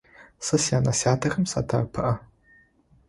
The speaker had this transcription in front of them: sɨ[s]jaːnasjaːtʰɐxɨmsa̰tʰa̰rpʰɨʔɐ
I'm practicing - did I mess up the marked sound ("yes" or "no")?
no